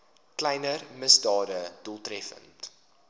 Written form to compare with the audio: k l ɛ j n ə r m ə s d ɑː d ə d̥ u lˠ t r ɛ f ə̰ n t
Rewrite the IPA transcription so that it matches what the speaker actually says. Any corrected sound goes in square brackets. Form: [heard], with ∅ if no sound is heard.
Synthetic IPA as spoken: k l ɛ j n ə r m ə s d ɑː d ə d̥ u lˠ t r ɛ f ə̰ n t